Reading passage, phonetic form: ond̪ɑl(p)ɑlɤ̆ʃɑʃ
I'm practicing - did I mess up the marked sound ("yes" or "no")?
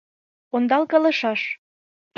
yes